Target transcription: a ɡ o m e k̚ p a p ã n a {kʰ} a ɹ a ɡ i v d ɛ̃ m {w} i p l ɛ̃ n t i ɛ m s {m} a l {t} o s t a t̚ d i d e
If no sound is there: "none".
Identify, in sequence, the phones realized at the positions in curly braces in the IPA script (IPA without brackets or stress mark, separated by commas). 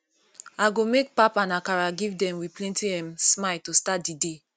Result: k, w, m, t